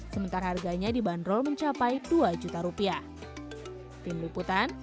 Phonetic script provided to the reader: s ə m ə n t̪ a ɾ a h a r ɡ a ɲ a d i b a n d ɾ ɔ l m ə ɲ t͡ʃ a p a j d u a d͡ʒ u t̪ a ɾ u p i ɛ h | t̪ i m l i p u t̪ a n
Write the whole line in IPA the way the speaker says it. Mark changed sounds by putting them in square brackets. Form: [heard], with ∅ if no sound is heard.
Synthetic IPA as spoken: s ə m ə n t̪ a ɾ a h a r ɡ a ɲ a d i b a n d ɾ ɔ l m ə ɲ t͡ʃ a p a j d u a d͡ʒ u t̪ a ɾ u p i [a] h | t̪ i m l i p u t̪ a n